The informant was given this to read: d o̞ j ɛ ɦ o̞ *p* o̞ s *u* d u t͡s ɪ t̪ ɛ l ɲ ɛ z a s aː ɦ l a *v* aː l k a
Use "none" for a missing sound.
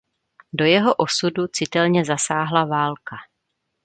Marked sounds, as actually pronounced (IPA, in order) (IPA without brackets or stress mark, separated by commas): ʔ, u, v